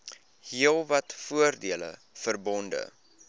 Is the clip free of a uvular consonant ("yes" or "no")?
yes